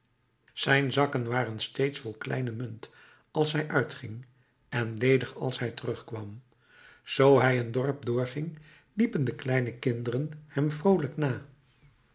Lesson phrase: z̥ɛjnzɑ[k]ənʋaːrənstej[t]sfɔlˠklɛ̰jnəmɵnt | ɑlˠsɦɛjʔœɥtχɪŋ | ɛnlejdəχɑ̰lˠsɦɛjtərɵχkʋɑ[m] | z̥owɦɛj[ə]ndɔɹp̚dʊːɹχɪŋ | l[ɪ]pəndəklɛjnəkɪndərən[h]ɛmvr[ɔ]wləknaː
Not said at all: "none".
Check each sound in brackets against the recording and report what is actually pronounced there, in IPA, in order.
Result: k, t, m, ə, i, h, o

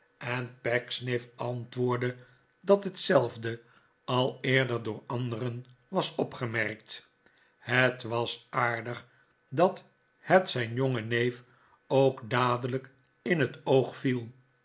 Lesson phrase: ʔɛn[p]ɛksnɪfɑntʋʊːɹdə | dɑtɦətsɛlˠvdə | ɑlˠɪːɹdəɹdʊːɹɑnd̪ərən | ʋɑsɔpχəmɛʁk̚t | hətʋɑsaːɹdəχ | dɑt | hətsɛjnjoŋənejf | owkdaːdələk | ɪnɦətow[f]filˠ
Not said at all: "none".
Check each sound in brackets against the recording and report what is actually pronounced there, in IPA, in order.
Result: p, χ

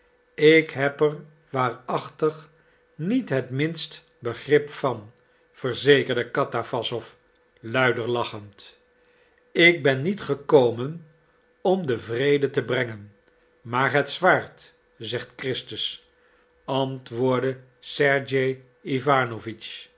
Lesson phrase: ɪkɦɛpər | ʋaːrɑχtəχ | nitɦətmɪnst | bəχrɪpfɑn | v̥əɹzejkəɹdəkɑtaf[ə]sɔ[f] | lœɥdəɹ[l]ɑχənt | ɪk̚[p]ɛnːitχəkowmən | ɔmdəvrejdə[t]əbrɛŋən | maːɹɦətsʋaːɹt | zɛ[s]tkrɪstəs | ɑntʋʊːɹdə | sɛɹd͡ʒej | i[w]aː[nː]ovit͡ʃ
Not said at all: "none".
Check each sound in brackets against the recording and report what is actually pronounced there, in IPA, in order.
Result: ɑ, f, l, b, t, χ, v, n

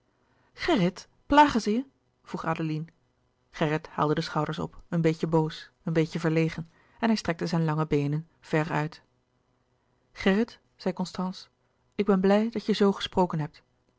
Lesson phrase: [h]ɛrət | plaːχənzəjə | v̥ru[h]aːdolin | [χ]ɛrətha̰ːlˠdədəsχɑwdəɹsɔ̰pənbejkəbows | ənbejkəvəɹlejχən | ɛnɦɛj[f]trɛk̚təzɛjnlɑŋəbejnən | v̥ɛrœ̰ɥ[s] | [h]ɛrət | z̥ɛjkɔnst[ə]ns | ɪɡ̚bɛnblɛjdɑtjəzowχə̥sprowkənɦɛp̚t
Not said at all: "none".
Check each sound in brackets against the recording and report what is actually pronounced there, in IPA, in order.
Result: χ, χ, χ, s, t, χ, ɑ

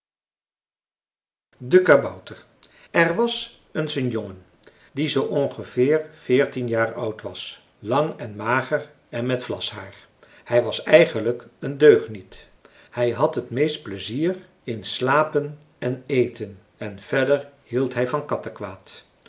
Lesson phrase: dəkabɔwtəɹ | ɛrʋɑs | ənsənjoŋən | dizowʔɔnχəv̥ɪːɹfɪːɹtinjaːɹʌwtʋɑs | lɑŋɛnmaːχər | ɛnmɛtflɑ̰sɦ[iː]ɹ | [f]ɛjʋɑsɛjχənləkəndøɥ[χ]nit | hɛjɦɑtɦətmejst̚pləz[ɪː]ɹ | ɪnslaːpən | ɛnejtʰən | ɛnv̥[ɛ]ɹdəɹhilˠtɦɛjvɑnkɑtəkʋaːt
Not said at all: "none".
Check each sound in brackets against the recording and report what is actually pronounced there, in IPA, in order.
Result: aː, h, χ, iː, ɛ

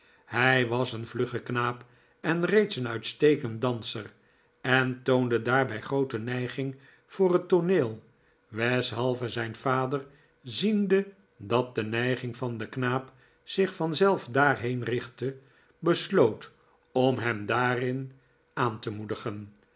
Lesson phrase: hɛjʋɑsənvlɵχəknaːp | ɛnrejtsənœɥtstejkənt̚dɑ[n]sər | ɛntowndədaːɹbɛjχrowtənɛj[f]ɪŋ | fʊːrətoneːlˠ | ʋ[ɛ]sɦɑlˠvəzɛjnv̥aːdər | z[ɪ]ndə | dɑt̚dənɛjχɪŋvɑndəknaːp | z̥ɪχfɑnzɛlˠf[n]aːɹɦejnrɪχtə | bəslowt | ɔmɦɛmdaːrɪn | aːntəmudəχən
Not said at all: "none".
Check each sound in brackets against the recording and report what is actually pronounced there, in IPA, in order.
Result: n, χ, ɛ, i, d

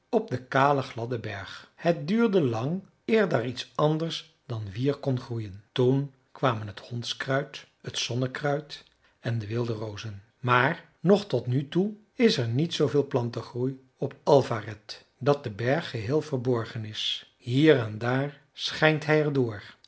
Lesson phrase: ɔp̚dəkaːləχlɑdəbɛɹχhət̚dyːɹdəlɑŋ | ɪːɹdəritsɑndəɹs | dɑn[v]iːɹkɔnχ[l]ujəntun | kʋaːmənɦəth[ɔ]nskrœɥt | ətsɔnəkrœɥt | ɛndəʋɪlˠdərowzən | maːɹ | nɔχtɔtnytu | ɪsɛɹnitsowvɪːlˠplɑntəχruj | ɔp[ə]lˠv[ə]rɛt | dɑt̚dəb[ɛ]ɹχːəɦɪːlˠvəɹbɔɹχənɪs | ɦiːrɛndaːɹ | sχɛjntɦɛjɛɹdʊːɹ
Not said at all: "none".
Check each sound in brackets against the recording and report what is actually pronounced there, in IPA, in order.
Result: ʋ, r, ɔ, ɑ, a, ɛ

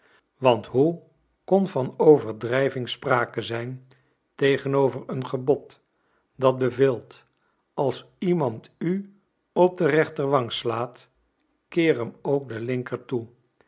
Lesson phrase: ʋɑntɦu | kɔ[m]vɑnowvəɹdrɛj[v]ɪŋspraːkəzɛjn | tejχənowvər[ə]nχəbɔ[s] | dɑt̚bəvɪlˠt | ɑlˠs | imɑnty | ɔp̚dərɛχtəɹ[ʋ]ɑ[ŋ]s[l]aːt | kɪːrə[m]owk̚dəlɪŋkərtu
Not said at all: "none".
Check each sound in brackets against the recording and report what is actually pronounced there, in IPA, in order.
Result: n, v, ə, t, ʋ, ŋ, l, m

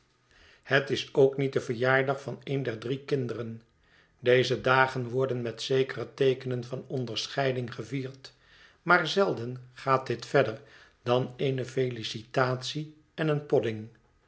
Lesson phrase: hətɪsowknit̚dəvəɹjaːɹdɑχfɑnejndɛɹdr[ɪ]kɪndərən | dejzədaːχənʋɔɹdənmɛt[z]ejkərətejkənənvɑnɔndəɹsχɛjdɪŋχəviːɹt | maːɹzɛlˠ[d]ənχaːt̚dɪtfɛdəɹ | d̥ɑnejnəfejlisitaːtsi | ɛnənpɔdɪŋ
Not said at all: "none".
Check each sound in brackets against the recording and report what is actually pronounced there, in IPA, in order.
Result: i, s, d

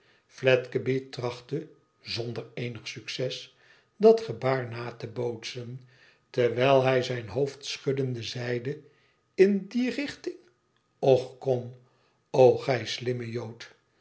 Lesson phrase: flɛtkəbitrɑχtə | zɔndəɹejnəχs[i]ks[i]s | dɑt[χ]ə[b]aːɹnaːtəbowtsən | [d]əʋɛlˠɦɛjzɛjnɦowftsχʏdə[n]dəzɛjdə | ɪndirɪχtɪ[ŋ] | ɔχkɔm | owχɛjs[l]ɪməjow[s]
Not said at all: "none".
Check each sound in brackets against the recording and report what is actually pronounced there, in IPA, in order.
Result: y, ɛ, χ, b, t, n, ŋ, l, t

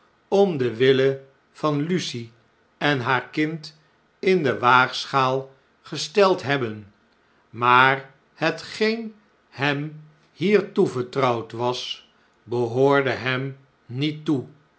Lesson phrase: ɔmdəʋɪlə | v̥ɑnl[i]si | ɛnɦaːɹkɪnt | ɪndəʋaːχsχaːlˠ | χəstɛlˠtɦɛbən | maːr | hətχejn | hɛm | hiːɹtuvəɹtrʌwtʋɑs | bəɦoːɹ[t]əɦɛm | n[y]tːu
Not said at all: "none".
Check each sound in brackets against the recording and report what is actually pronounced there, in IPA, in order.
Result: y, d, i

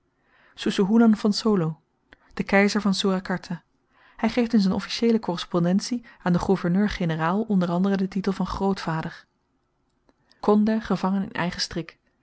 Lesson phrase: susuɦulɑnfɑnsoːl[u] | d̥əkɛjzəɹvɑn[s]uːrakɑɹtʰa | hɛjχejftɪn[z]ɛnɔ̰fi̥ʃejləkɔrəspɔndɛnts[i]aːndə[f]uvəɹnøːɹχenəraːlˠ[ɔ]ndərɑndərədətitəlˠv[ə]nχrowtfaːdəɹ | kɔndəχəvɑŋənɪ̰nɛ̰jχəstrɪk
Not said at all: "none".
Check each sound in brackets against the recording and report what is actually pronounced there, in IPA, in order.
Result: o, s, z, i, χ, ɔ, ɑ

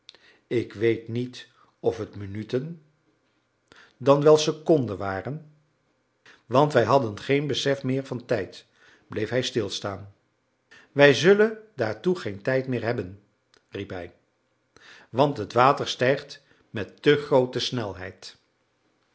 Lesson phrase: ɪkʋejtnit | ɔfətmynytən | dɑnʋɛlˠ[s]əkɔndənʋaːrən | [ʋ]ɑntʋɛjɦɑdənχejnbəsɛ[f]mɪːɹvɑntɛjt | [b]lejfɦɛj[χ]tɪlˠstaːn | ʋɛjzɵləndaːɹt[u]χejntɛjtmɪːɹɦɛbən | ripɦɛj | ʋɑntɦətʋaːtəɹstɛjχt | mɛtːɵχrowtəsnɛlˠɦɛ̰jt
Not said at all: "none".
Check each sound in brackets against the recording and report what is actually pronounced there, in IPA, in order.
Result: s, ʋ, f, b, s, u

